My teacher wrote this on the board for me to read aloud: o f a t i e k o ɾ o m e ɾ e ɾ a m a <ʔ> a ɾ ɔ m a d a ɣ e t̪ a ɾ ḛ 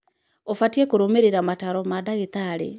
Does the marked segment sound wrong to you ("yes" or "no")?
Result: yes